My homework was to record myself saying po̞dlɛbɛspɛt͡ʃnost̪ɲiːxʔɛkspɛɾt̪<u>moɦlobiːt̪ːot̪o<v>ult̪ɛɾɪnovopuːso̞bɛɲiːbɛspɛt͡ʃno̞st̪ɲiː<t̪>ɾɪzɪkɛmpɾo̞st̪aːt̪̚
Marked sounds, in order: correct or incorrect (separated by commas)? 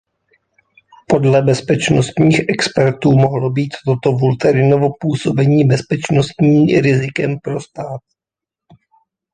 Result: incorrect, correct, incorrect